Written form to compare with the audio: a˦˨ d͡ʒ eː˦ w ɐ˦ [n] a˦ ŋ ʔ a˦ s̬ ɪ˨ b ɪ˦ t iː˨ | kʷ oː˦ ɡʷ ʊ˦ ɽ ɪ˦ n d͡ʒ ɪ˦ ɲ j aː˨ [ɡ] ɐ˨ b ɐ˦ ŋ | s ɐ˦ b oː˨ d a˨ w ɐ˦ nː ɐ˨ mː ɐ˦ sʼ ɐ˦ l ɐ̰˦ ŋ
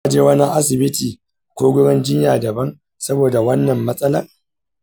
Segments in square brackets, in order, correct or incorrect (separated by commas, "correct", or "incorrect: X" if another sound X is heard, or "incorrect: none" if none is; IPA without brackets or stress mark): correct, incorrect: d